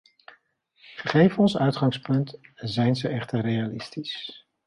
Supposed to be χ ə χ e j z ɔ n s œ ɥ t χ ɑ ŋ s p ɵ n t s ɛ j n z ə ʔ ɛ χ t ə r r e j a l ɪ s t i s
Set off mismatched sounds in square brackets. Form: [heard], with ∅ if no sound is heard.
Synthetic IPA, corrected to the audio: χ ə χ e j [v] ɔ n s œ ɥ t χ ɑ ŋ s p ɵ n t [z] ɛ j n z ə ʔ ɛ χ t ə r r e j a l ɪ s t i s